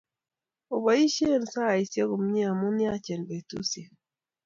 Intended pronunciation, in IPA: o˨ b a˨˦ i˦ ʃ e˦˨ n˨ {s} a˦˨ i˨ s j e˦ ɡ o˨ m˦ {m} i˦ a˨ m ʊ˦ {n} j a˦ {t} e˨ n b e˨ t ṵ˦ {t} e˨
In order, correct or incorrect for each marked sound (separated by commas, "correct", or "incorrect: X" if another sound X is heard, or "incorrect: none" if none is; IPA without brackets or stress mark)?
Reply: correct, incorrect: ɲ, correct, incorrect: t͡ʃ, incorrect: s